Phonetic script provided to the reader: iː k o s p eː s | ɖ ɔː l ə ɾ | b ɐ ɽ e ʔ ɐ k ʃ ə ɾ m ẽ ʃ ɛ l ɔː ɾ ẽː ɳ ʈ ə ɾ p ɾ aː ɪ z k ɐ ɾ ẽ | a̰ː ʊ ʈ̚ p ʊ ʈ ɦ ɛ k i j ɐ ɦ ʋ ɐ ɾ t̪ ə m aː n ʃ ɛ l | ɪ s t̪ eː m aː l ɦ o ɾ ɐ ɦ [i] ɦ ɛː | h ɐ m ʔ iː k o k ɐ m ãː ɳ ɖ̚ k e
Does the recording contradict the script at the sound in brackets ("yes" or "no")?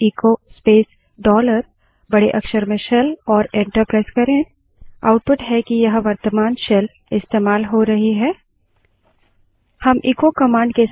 no